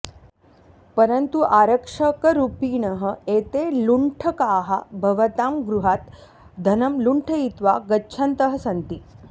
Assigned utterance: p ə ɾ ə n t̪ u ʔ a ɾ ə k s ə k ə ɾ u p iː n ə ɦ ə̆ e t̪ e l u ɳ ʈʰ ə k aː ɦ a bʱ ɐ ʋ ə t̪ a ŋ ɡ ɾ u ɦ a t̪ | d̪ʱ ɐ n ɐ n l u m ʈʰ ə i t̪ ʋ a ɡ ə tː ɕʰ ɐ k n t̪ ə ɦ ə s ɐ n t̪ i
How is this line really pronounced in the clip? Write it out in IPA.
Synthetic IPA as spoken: p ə ɾ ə n t̪ u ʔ a ɾ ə k ʂ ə k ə ɾ u p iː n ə ɦ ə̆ e t̪ e l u ɳ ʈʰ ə k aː ɦ a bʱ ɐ ʋ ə t̪ a m ɡ ɾ u ɦ a t̪ | d̪ʱ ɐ n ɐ m l u ɳ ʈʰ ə i t̪ ʋ a ɡ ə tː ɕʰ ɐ n t̪ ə ɦ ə s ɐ n t̪ i